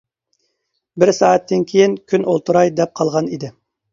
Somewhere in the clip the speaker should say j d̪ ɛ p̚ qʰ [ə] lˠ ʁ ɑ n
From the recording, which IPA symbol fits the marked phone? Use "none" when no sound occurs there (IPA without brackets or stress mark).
ɑ